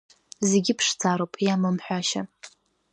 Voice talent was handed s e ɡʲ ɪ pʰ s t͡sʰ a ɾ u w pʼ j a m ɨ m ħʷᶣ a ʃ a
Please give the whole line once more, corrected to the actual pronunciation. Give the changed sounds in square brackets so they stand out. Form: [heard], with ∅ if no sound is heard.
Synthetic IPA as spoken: [z] e ɡʲ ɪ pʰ [ʂ] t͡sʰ a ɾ [o] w pʼ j a m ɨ m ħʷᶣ a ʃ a

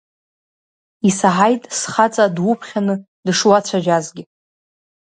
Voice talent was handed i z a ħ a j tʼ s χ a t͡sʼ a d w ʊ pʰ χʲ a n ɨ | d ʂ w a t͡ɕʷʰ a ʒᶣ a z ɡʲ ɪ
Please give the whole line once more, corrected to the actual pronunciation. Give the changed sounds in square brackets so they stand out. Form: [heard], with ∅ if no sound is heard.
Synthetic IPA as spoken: i [s] a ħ a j tʼ s χ a t͡sʼ a d w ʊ pʰ χʲ a n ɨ | d ʂ w a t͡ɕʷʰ a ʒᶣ a z ɡʲ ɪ

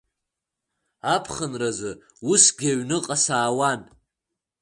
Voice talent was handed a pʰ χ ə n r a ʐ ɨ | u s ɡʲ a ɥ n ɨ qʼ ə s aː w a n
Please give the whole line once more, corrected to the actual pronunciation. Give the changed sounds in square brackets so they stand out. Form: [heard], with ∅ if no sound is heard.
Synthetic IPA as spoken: a pʰ χ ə n r a [z] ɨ | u s ɡʲ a ɥ n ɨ qʼ [a] s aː w a n

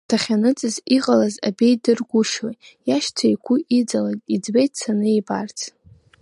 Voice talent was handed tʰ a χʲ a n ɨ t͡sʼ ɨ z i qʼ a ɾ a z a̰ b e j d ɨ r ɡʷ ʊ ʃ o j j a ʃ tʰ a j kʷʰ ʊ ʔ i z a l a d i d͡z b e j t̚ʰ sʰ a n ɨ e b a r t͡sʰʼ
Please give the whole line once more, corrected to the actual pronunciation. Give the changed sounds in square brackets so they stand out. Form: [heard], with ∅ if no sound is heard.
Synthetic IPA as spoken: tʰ a χʲ a n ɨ t͡sʼ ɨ z i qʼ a [l] a z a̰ b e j d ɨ r ɡʷ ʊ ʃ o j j a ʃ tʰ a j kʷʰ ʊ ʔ i [d͡z] a l a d i d͡z b e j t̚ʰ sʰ a n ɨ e b a r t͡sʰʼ

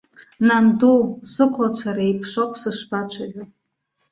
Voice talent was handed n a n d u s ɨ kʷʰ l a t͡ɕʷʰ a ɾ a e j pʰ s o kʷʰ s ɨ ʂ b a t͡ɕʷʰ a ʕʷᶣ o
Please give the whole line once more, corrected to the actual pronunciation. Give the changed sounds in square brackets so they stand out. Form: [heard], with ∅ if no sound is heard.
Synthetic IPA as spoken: n a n d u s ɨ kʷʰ l a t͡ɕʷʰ a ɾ a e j pʰ [ʂ] o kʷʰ s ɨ ʂ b a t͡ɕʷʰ a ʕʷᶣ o

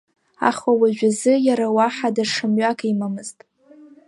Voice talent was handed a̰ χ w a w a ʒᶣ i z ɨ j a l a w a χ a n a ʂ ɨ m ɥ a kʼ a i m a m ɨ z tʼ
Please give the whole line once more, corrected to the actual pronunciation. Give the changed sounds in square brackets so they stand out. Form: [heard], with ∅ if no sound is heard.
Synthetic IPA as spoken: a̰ χ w a w a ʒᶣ [a] z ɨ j a [ɾ] a w a [ħ] a [d] a ʂ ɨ m ɥ a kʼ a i m a m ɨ z tʼ

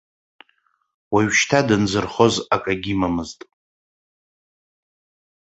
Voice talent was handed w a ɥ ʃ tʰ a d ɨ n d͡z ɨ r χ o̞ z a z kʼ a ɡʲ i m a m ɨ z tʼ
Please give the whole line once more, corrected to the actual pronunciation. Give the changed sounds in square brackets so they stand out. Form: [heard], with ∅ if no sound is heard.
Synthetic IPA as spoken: w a ɥ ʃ tʰ a d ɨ n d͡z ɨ r χ o̞ z a [∅] kʼ a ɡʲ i m a m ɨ z tʼ

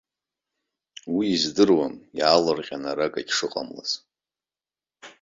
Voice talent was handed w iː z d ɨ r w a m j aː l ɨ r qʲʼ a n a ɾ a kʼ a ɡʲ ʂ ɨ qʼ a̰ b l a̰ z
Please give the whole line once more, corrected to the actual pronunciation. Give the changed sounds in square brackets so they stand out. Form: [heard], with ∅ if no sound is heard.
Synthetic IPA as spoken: w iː z d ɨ r w a m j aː l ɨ r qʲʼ a n a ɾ a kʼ a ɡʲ ʂ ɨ qʼ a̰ [m] l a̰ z

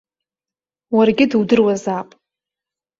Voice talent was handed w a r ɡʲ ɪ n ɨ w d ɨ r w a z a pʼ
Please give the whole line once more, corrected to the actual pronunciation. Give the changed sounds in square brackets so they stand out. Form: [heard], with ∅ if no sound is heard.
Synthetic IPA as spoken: w a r ɡʲ ɪ [d] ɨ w d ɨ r w a z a pʼ

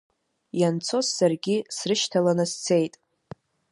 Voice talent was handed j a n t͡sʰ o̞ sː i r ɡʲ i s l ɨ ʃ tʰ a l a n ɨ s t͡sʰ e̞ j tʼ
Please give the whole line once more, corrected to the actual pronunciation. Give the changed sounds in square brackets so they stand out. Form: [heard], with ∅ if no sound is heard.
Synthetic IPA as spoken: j a n t͡sʰ o̞ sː [a] r ɡʲ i s [r] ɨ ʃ tʰ a l a n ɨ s t͡sʰ e̞ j tʼ

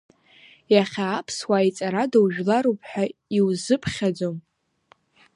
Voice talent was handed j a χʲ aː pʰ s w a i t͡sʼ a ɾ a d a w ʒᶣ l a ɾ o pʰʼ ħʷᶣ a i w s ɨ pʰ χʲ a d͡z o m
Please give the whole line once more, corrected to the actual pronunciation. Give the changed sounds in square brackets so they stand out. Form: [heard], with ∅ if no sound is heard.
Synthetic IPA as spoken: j a χʲ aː pʰ s w a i t͡sʼ a ɾ a d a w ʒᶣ l a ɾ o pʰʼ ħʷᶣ a i w [z] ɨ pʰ χʲ a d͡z o m

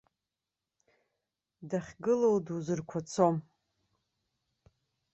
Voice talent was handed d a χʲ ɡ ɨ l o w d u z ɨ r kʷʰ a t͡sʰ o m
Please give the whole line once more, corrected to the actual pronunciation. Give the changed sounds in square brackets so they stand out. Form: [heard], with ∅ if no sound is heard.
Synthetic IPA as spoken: d a χʲ ɡ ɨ l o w d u z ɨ r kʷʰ a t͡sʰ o m

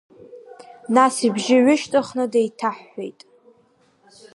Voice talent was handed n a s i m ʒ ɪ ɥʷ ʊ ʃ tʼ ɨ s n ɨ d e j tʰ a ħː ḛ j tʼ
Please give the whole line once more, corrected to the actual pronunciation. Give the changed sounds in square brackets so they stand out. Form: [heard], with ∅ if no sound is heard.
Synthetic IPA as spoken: n a s i [b] ʒ ɪ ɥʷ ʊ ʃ tʼ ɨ [χ] n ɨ d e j tʰ a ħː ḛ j tʼ

